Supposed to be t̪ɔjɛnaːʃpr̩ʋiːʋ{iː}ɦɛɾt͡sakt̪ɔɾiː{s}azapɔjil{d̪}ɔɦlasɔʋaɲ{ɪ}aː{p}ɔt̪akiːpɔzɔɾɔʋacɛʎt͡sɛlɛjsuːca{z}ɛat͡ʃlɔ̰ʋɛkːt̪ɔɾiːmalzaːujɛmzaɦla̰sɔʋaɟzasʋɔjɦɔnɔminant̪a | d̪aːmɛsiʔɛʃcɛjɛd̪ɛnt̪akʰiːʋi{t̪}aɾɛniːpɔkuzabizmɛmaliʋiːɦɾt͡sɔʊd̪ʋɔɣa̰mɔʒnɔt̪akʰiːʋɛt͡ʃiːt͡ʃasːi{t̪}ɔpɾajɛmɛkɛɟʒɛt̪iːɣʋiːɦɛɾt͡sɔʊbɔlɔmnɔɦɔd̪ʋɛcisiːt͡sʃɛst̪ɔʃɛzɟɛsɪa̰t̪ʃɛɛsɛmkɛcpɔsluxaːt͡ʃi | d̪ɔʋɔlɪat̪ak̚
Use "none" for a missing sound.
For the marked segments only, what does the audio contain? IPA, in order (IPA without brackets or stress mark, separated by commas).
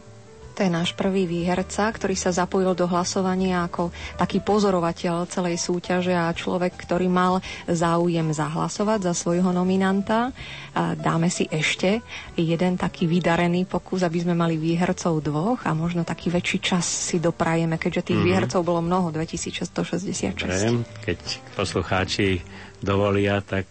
iː, s, d̪, ɪ, k, ʒ, d̪, d̪